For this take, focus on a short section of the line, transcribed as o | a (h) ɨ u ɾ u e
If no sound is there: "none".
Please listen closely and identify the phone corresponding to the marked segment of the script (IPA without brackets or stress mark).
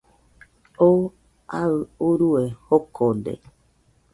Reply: none